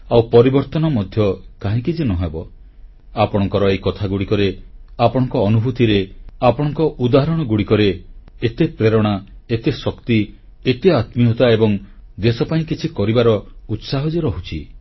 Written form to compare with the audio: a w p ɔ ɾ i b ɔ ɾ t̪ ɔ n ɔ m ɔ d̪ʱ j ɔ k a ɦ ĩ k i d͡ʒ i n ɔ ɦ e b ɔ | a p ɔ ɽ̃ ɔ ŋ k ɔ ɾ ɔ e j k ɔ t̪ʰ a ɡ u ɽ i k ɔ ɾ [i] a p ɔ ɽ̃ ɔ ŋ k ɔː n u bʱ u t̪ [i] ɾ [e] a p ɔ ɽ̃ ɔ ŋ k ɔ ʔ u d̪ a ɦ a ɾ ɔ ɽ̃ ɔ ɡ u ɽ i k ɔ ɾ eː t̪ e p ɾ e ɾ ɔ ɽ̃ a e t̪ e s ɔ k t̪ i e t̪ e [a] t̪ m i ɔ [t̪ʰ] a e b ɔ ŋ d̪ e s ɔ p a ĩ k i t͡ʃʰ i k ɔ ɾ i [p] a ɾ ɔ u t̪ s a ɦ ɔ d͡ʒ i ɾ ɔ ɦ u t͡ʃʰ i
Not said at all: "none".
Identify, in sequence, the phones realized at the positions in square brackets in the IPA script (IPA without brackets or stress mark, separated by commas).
e, i, e, a, t̪, b